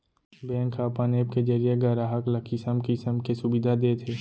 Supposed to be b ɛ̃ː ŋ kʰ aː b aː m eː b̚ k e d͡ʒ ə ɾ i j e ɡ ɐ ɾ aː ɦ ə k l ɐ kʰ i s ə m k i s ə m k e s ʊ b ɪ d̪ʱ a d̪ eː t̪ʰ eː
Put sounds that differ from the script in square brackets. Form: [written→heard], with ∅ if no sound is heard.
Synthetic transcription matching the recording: b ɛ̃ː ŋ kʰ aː [b→p] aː [m→n] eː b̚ k e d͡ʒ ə ɾ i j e ɡ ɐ ɾ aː ɦ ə k l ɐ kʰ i s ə m k i s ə m k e s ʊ b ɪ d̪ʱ a d̪ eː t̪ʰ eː